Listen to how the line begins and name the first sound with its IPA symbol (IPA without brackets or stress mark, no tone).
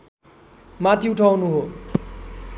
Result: m